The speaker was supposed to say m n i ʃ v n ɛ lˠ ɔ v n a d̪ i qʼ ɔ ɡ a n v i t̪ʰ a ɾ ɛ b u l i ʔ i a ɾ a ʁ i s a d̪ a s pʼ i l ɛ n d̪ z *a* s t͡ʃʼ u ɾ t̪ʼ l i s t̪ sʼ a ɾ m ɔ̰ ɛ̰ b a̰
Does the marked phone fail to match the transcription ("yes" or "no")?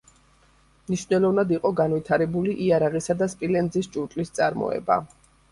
yes